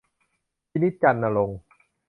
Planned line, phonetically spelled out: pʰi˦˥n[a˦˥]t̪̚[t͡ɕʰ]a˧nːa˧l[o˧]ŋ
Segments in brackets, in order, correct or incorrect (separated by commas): incorrect, incorrect, correct